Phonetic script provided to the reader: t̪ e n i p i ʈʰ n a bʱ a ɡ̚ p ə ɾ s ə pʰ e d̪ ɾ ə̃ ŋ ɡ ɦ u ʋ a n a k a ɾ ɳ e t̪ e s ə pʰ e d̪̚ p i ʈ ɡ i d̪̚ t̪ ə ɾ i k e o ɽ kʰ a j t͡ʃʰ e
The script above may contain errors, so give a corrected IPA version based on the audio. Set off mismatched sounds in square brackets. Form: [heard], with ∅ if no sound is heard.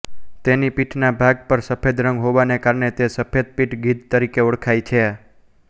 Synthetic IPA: t̪ e n i p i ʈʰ n a bʱ a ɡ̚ p ə ɾ s ə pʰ e d̪ ɾ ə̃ ŋ ɡ ɦ [o] ʋ a n [e] k a ɾ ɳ e t̪ e s ə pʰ e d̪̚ p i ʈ ɡ i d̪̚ t̪ ə ɾ i k e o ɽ kʰ a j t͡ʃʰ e